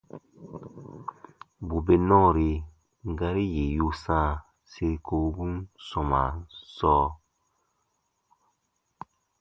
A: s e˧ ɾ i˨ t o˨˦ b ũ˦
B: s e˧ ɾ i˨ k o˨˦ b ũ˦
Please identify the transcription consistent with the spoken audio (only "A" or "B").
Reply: B